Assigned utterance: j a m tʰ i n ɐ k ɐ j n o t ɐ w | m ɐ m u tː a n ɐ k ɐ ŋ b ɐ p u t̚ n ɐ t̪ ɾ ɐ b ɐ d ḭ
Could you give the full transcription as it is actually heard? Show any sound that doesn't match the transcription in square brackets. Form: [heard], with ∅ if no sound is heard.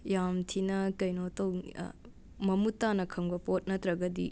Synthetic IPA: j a m tʰ i n ɐ k ɐ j n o t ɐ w | m ɐ m u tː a n ɐ [kʰ] ɐ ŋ b ɐ p [o] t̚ n ɐ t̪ ɾ ɐ [ɡ] ɐ d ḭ